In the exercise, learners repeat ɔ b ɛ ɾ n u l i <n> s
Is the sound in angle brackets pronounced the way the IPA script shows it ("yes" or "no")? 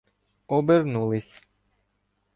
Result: no